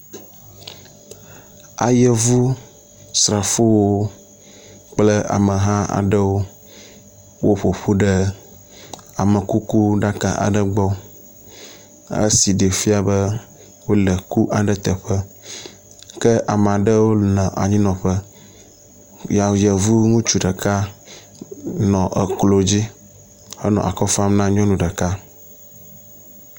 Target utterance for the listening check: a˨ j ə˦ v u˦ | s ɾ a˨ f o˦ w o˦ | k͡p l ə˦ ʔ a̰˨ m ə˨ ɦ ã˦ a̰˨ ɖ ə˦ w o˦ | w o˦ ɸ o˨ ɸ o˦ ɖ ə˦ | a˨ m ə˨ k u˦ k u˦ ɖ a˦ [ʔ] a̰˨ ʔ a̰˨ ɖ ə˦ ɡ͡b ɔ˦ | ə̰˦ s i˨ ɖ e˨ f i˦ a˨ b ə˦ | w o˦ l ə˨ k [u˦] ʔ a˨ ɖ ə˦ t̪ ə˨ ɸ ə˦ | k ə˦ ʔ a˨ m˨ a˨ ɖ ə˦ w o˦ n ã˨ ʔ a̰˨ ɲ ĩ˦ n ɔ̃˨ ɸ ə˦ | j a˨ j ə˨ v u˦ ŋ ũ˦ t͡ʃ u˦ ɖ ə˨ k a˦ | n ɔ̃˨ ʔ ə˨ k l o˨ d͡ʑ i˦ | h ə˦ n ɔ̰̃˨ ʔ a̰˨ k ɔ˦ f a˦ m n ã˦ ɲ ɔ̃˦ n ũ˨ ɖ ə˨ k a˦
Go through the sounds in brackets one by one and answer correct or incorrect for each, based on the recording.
incorrect, correct

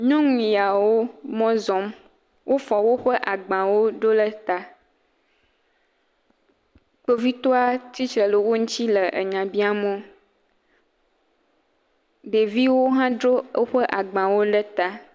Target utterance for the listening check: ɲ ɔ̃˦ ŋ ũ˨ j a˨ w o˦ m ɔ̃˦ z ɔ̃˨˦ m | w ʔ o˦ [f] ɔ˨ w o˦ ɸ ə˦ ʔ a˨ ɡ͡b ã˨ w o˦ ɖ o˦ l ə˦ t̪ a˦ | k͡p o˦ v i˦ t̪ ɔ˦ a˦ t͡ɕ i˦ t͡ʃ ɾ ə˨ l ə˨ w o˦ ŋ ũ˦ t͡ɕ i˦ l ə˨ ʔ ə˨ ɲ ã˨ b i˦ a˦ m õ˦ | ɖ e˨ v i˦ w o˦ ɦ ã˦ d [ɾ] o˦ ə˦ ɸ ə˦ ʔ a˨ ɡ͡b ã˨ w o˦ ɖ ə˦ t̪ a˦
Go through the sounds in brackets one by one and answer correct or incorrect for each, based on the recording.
correct, correct

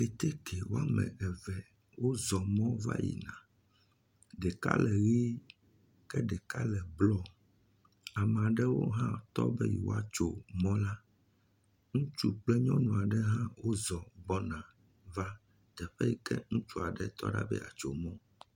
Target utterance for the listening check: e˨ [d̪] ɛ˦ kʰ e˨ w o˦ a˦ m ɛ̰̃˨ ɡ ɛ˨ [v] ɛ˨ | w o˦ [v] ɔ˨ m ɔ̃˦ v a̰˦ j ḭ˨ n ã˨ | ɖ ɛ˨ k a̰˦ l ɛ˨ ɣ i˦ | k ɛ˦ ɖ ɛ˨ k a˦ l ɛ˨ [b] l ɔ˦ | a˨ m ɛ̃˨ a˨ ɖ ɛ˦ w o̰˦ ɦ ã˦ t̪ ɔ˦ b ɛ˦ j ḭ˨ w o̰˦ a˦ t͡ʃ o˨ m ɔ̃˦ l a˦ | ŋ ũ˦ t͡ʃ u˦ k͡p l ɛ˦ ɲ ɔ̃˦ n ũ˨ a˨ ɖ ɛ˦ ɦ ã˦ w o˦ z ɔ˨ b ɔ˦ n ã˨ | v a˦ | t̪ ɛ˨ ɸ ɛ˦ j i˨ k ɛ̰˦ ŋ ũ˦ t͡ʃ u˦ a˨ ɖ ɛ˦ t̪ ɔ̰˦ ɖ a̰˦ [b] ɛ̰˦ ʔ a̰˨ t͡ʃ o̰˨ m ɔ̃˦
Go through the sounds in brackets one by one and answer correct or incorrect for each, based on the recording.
incorrect, correct, incorrect, correct, correct

